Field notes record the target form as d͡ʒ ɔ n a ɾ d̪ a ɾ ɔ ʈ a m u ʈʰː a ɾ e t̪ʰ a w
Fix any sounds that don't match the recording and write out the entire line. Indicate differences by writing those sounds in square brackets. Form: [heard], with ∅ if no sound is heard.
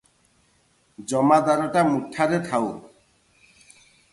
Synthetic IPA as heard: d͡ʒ ɔ [m] a [∅] d̪ a ɾ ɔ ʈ a m u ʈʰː a ɾ e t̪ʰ a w